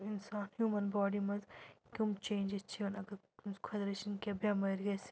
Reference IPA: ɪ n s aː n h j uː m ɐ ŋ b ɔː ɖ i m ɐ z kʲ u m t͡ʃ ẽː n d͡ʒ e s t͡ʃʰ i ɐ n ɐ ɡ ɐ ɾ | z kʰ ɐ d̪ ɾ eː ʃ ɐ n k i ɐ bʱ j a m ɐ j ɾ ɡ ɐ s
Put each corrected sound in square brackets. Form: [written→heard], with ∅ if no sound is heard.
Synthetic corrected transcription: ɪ n s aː n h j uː m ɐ [ŋ→n] b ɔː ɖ i m ɐ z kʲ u m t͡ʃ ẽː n d͡ʒ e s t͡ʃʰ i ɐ n ɐ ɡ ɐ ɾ | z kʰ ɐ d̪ ɾ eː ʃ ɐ n k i ɐ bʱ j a m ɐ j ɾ ɡ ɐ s